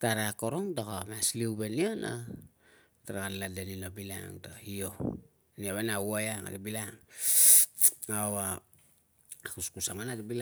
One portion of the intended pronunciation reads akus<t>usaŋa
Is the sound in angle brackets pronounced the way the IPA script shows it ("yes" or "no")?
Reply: no